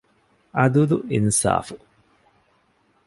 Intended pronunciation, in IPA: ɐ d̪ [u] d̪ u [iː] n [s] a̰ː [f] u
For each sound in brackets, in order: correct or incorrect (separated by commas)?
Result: correct, incorrect, correct, correct